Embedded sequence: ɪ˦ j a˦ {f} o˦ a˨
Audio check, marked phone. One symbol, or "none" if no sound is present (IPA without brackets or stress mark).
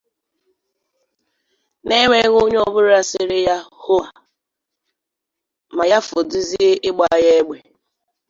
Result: h